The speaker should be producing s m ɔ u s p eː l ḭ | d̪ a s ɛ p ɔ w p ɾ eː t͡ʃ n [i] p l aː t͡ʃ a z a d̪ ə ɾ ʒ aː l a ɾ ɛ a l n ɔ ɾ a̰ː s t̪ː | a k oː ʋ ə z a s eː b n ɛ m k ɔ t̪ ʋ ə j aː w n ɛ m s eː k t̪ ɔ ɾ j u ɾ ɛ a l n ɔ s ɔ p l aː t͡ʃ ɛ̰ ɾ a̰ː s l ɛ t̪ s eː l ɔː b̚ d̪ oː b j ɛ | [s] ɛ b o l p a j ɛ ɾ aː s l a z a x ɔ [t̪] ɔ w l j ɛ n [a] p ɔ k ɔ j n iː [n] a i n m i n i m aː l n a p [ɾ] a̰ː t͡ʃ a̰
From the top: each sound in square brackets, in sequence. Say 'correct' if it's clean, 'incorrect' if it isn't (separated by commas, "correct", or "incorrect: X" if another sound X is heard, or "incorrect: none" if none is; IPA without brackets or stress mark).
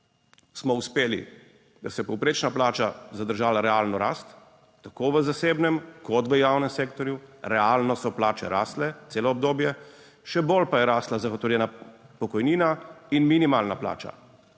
incorrect: a, incorrect: ʃ, correct, correct, correct, incorrect: l